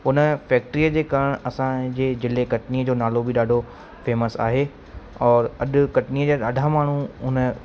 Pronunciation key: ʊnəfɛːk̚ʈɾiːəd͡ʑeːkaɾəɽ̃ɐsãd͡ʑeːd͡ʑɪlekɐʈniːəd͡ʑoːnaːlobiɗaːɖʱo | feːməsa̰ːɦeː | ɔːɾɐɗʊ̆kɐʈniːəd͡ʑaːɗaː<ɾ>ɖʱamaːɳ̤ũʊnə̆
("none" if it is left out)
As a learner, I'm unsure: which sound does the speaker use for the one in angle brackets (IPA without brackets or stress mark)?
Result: none